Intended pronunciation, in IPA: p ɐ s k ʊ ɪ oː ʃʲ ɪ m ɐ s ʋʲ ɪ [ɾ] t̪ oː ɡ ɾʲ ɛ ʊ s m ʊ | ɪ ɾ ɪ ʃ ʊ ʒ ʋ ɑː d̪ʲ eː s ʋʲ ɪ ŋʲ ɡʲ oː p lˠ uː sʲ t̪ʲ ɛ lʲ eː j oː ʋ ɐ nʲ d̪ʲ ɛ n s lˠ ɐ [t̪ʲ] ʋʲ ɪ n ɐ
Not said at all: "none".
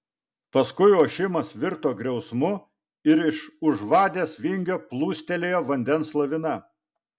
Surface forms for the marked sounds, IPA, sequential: ɾ, none

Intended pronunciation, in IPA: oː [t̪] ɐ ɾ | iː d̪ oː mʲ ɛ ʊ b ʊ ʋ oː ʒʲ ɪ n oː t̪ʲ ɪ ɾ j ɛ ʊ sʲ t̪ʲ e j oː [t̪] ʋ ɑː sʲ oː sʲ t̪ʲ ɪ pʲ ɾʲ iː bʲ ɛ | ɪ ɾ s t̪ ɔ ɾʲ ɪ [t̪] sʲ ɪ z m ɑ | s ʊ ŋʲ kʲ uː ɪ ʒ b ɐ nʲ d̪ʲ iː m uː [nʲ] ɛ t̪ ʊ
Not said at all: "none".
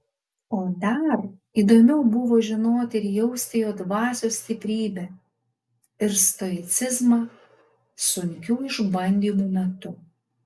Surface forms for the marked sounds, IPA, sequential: d̪, d̪, t̪, mʲ

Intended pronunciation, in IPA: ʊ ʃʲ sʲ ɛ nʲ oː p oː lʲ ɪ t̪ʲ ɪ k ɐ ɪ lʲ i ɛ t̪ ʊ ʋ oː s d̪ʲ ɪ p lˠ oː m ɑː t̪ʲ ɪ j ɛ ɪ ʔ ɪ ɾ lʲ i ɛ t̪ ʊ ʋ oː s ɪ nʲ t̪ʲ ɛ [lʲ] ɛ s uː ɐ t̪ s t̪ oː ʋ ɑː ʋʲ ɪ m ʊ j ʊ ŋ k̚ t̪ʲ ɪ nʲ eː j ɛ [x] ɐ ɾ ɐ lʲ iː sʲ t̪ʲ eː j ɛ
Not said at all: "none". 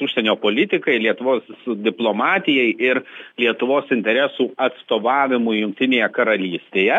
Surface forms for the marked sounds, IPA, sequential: ɾʲ, k

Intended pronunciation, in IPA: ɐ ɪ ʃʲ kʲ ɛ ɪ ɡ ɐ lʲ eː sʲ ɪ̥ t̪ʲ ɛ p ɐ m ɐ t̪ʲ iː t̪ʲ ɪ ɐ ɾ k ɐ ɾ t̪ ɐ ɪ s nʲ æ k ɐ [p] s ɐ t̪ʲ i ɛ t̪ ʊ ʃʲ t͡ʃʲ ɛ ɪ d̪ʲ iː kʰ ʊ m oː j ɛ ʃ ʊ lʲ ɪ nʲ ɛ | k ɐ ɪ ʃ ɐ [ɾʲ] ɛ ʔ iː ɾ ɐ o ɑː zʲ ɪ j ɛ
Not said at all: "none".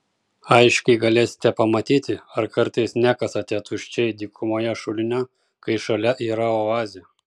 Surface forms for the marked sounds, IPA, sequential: none, lʲ

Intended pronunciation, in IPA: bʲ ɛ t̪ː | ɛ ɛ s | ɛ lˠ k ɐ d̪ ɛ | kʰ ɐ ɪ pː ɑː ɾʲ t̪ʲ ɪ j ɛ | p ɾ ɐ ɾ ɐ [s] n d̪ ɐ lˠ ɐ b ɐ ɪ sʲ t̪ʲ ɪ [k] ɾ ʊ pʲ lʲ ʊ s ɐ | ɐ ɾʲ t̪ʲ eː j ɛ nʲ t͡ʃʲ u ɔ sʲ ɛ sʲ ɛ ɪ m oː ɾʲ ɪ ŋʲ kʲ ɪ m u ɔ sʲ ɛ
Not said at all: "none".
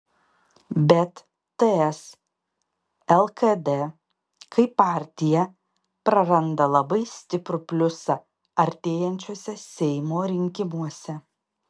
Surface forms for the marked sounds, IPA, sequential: none, p

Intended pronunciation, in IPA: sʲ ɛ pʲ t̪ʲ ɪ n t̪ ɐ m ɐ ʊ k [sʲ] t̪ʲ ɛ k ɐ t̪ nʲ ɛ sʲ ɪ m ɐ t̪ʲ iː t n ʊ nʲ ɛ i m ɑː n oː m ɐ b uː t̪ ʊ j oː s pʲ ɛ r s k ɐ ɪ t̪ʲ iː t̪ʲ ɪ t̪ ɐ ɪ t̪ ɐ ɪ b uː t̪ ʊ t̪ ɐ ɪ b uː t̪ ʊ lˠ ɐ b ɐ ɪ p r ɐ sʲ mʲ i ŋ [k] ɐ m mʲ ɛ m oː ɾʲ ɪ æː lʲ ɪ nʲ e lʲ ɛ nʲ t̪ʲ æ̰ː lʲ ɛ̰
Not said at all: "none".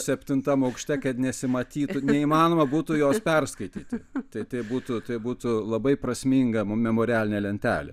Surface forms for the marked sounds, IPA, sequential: ʃʲ, ɡ

